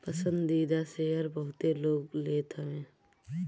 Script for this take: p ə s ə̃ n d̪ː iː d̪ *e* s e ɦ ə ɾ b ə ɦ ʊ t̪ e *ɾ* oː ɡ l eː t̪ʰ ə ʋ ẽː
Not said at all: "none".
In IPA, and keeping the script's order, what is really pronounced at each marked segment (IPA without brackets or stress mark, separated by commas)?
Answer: a, l